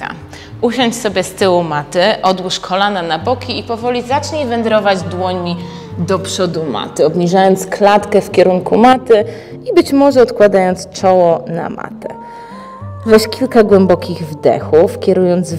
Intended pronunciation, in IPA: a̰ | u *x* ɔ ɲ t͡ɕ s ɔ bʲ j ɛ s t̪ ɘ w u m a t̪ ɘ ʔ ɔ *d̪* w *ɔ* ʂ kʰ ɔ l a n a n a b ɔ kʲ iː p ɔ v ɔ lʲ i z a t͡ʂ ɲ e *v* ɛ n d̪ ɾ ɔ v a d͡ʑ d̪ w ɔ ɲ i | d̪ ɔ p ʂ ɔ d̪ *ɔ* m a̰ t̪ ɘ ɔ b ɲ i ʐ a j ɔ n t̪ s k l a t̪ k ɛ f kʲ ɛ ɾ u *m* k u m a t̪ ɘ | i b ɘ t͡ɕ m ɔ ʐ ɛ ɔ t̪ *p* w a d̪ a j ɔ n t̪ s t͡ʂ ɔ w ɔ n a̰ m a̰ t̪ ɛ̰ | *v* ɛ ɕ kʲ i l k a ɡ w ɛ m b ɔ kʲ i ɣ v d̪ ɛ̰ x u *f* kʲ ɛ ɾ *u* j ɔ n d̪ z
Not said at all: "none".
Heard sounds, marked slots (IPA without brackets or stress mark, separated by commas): ɕ, d̪, u, v, u, ŋ, k, v, f, u